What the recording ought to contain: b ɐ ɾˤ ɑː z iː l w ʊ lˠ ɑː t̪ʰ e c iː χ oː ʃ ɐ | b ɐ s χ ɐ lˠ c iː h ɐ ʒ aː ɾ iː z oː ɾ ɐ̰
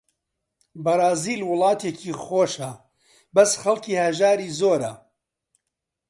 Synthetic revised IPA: b ɐ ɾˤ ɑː z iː l w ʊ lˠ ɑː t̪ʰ e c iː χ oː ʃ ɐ | b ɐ s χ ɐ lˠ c iː h ɐ ʒ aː ɾ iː z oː ɾ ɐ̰